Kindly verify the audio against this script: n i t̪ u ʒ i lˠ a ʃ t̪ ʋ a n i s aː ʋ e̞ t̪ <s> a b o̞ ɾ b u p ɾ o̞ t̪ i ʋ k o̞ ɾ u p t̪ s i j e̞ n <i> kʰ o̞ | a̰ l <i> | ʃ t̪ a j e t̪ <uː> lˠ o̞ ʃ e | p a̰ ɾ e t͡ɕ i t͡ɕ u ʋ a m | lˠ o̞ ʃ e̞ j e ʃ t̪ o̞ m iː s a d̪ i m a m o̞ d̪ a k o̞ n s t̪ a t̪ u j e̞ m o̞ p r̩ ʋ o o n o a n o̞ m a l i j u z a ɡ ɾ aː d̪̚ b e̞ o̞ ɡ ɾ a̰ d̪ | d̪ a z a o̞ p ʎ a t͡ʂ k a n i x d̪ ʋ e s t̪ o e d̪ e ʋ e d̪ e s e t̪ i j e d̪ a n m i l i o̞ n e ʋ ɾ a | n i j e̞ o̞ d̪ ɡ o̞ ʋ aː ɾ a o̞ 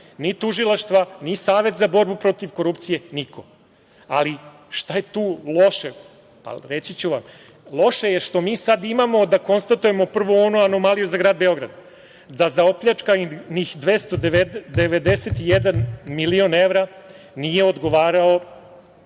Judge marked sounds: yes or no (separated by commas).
no, yes, yes, yes